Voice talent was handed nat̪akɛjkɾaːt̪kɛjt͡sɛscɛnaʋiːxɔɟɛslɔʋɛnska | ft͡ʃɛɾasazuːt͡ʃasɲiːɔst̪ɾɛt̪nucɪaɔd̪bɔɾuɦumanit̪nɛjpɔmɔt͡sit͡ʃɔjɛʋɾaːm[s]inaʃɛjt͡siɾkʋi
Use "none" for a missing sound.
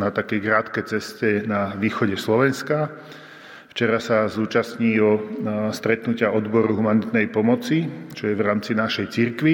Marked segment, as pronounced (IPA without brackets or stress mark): t͡s